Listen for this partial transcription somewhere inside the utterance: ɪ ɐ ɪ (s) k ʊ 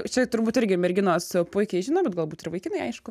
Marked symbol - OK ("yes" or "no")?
no